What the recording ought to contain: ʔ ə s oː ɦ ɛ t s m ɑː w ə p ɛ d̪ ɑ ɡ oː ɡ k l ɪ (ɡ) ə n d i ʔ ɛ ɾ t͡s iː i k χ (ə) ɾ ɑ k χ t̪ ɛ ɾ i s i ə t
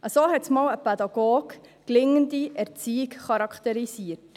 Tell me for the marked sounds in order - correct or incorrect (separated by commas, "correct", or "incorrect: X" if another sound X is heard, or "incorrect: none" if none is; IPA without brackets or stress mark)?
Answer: incorrect: ŋ, incorrect: ɑ